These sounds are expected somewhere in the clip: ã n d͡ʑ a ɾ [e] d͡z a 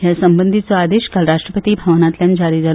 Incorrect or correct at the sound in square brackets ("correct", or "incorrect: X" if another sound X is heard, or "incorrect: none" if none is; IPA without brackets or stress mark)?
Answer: incorrect: i